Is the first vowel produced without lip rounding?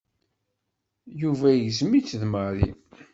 no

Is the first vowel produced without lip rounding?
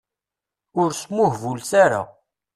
no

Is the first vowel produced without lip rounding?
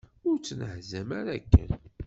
no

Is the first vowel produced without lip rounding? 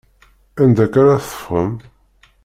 yes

